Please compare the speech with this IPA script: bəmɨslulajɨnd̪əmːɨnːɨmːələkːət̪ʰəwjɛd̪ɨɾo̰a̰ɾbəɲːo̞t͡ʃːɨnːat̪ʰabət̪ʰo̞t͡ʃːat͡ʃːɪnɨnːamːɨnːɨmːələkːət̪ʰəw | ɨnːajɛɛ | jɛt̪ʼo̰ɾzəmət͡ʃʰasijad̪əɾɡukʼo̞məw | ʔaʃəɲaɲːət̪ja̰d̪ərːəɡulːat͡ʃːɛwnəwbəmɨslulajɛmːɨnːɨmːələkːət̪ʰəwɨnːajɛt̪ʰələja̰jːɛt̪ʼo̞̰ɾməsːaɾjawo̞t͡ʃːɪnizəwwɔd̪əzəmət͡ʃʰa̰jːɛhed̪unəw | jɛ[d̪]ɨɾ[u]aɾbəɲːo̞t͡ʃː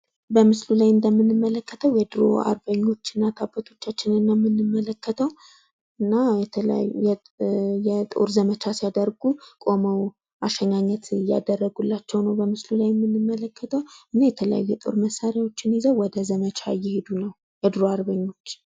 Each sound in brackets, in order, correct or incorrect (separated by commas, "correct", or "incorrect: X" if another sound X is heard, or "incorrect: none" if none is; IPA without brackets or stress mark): correct, incorrect: o